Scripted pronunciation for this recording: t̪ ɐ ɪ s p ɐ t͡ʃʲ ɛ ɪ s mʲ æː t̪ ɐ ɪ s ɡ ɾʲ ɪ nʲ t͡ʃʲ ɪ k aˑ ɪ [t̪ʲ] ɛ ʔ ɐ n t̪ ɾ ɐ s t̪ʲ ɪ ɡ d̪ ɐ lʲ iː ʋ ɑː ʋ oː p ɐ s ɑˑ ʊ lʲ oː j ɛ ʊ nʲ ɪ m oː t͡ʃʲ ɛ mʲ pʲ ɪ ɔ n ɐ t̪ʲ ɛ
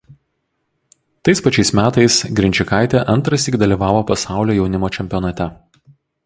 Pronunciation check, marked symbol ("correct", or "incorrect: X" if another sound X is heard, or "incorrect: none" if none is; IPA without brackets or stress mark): correct